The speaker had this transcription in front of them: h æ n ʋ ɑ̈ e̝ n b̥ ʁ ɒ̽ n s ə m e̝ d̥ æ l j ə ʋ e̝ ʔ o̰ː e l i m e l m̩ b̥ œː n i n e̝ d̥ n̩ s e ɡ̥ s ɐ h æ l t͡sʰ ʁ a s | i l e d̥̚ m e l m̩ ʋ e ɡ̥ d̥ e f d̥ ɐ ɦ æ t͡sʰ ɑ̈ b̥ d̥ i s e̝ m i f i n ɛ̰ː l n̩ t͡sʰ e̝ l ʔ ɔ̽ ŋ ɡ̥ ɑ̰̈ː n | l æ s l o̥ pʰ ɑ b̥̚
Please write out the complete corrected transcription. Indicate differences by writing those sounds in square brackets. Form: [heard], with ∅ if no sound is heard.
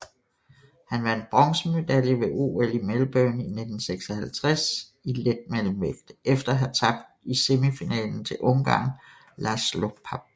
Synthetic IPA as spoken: h æ n ʋ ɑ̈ e̝ n b̥ ʁ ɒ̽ [ŋ] s ə m e̝ d̥ æ l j ə ʋ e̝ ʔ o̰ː e l i m e l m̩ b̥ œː n i n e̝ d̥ n̩ s e ɡ̥ s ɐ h æ l t͡sʰ ʁ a s | i l e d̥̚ m e l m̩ ʋ e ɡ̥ d̥ e f d̥ ɐ ɦ æ t͡sʰ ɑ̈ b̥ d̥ i s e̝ m i f i n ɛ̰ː l n̩ t͡sʰ e̝ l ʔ ɔ̽ ŋ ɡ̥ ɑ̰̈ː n | l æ s l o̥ pʰ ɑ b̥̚